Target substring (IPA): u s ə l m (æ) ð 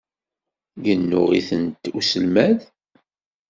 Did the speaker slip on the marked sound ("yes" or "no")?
no